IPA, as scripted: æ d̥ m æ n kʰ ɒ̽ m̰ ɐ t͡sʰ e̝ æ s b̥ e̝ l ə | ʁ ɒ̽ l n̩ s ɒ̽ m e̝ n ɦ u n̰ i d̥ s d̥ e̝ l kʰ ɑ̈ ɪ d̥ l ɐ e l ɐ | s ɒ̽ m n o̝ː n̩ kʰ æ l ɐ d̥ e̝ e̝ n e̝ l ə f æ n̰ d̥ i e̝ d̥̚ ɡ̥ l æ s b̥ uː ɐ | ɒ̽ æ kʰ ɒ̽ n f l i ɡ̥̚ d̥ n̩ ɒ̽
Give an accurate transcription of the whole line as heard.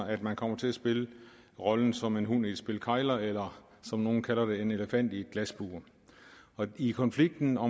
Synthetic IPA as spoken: æ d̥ m æ n kʰ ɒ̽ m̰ ɐ t͡sʰ e̝ æ s b̥ e̝ l ə | ʁ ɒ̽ l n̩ s ɒ̽ m e̝ n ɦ u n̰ i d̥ s b̥ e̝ l kʰ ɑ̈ ɪ l ɐ e l ɐ | s ɒ̽ m n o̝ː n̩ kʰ æ l ɐ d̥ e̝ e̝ n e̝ l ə f æ n̰ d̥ i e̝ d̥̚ ɡ̥ l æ s b̥ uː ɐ | ɒ̽ i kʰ ɒ̽ n f l i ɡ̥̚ d̥ n̩ ɒ̽